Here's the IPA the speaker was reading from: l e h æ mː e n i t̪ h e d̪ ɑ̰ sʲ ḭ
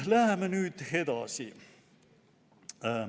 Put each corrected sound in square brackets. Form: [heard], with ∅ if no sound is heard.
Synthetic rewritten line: l [æ] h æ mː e n [y] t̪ h e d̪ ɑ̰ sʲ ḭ

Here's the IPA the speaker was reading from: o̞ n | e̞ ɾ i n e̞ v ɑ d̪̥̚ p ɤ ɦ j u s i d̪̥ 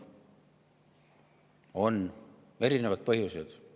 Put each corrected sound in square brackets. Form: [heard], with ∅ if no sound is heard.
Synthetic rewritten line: o̞ n | e̞ ɾ i n e̞ v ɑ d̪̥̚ p ɤ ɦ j u s [e] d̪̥

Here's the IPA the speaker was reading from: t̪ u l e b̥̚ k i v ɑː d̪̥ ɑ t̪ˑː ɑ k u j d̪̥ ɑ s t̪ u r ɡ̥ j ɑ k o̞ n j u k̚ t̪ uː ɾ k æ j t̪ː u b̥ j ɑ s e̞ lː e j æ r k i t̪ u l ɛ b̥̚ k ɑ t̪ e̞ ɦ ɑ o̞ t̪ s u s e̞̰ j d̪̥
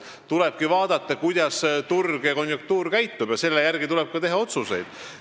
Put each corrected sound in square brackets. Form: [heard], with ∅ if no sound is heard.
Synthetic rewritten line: t̪ u l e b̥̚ k i v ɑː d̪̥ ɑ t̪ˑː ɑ k u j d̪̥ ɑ s t̪ u r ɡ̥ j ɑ k o̞ n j u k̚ t̪ uː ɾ k æ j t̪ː u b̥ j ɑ s e̞ lː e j æ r [ɡ] i t̪ u l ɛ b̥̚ k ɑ t̪ e̞ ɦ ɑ o̞ t̪ s u s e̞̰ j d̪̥

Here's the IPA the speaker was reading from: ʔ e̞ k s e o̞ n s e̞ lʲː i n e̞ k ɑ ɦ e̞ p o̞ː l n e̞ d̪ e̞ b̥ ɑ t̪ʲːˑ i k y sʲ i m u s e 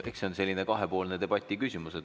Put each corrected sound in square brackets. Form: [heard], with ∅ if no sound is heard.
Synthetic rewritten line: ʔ e̞ k s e o̞ n s e̞ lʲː i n e̞ k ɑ ɦ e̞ p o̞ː l n e̞ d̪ e̞ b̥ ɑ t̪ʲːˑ i k y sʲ i m u s e

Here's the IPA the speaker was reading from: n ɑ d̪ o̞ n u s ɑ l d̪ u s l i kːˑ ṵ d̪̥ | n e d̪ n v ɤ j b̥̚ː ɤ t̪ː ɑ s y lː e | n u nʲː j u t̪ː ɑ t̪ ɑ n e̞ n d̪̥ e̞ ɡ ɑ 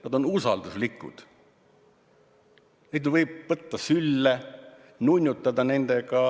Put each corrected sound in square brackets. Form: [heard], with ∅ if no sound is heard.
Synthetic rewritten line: n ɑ d̪ o̞ n u s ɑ l d̪ u s l i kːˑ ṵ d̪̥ | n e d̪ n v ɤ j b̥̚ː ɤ t̪ː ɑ s y lː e | n u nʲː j u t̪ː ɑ [d̪] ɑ n e̞ n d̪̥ e̞ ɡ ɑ

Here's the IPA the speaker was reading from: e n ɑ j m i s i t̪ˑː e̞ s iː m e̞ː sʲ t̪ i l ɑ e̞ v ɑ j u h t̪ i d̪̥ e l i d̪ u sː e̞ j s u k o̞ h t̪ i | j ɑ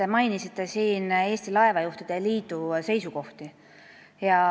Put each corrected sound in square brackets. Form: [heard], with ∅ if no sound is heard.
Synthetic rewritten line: e [m] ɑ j [n] i s i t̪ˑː e̞ s iː [n] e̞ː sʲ t̪ i l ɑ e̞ v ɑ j u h t̪ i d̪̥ e l [iː] d̪ u [s] e̞ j s u k o̞ h t̪ i | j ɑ

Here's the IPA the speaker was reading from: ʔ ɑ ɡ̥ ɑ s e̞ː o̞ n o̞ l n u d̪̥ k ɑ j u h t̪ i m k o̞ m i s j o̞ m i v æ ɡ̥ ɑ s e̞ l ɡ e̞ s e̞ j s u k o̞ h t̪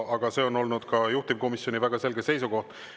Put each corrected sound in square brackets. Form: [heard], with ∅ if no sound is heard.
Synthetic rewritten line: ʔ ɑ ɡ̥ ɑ s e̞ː o̞ n o̞ l n u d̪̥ k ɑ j u h t̪ i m k o̞ m i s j o̞ [n] i v æ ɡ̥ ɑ s e̞ l ɡ e̞ s e̞ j s u k o̞ h t̪

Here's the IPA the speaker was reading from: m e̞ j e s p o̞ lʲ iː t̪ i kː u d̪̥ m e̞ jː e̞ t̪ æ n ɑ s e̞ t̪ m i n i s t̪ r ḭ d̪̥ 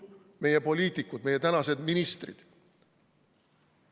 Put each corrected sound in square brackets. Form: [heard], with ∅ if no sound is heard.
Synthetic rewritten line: m e̞ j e [∅] p o̞ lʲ iː t̪ i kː u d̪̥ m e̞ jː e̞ t̪ æ n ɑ s e̞ [d̪] m i n i s t̪ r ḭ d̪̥

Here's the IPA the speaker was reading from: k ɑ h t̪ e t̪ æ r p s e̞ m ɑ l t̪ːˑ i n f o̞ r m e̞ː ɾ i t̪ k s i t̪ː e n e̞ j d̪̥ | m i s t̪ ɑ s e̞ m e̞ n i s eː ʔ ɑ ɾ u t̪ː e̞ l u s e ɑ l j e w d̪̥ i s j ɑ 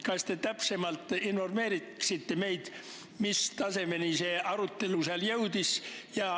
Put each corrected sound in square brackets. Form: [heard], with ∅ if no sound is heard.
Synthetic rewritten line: k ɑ [s] t̪ e t̪ æ [∅] p s e̞ m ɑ l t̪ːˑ i n f o̞ r m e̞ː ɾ i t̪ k s i t̪ː e [m] e̞ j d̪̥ | m i s t̪ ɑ s e̞ m e̞ n i s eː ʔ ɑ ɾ u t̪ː e̞ l u s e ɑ l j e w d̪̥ i s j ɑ

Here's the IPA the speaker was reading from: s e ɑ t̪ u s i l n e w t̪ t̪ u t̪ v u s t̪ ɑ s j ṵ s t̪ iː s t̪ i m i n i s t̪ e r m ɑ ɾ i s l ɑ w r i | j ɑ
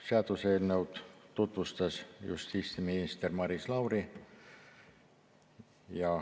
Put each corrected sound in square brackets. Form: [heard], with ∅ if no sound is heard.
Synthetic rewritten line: s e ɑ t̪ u s [e] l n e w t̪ t̪ u t̪ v u s t̪ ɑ s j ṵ s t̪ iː s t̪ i m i n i s t̪ e r m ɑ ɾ i s l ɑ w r i | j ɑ

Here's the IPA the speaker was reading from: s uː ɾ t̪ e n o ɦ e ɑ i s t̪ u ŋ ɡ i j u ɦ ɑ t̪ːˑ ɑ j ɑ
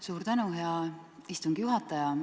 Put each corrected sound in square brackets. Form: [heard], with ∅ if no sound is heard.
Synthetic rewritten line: s uː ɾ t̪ [æ] n [u] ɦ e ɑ i s t̪ u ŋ ɡ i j u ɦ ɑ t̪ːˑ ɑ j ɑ

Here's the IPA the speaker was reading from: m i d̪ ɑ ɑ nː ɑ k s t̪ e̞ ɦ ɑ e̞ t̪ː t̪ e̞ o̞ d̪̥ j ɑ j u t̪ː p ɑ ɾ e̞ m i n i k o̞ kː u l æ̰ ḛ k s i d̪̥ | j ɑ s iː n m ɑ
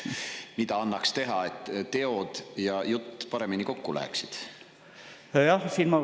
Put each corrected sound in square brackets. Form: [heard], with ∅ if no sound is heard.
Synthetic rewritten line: m i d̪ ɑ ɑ nː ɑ k s t̪ e̞ ɦ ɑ e̞ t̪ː t̪ e̞ o̞ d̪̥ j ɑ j u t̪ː p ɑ ɾ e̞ m i n i k o̞ kː u l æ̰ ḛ k s i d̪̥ | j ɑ s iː n m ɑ

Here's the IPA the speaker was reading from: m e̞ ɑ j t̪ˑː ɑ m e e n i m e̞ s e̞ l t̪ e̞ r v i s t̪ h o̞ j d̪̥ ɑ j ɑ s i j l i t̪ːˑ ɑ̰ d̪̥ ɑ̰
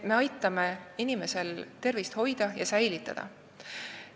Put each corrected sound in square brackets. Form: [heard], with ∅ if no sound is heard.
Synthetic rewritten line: m e̞ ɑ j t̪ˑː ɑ m e [i] n i m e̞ s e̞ l t̪ e̞ r v i s t̪ h o̞ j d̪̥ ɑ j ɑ s [æ] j l i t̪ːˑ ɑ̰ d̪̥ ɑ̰

